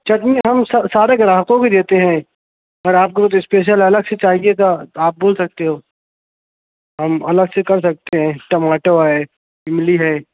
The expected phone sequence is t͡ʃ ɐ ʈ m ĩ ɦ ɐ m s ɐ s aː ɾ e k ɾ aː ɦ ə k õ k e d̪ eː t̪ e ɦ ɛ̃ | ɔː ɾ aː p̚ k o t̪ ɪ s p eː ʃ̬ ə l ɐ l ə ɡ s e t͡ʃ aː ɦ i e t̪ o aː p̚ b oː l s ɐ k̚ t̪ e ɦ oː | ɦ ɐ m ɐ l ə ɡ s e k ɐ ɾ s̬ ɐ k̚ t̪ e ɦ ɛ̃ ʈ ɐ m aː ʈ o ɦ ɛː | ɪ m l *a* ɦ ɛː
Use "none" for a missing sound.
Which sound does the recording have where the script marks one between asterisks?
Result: i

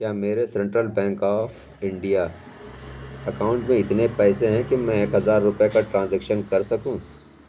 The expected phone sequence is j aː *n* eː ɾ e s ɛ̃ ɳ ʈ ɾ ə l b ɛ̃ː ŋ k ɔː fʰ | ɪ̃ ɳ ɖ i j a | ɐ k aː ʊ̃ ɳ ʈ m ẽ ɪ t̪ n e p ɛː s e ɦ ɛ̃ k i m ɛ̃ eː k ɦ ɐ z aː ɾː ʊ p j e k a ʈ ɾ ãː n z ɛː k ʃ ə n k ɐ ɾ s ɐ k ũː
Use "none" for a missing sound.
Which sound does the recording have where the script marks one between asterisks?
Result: m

